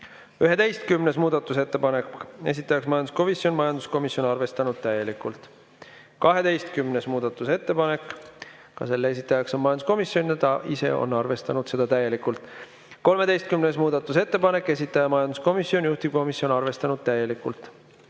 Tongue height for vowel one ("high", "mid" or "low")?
high